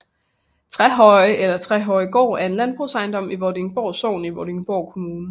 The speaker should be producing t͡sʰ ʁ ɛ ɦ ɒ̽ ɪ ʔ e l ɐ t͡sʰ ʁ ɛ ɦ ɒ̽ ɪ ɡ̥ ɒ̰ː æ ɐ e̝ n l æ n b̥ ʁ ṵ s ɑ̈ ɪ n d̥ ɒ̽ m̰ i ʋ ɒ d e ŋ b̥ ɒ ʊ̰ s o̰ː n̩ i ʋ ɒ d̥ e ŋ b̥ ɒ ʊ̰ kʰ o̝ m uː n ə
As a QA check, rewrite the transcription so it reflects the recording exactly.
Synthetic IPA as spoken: t͡sʰ ʁ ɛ ɦ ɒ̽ ɪ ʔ e l ɐ t͡sʰ ʁ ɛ ɦ ɒ̽ ɪ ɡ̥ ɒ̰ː æ ɐ e̝ n l æ n b̥ ʁ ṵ s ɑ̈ ɪ n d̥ ɒ̽ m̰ i ʋ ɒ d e ŋ b̥ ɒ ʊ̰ s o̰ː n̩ i ʋ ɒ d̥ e ŋ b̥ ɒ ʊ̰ kʰ o̝ m uː n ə